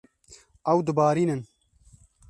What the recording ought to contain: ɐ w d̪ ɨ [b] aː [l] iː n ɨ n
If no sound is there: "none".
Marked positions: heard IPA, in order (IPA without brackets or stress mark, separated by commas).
b, ɾ